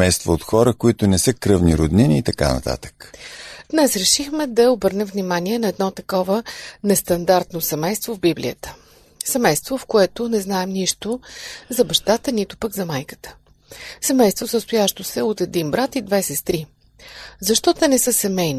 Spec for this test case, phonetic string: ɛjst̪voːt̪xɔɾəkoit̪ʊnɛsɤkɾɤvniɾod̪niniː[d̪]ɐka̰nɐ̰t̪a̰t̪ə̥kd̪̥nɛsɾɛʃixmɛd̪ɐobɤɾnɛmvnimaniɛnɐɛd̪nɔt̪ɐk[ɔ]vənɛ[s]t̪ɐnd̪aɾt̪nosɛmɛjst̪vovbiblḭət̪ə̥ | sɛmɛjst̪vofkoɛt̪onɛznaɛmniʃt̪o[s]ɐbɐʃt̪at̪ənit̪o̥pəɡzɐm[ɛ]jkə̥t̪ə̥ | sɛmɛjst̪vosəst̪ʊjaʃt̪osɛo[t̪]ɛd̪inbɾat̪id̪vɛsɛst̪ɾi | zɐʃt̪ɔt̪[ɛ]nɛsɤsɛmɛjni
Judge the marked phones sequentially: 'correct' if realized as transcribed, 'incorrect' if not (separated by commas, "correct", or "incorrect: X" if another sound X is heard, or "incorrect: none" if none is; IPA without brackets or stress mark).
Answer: incorrect: t̪, correct, correct, incorrect: z, incorrect: a, correct, correct